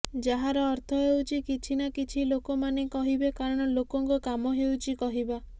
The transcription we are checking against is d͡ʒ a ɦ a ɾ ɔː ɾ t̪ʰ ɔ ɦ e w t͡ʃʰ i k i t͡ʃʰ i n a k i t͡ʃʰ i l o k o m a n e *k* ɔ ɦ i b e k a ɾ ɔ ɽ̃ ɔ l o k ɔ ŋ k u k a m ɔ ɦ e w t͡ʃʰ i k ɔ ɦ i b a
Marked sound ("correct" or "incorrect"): correct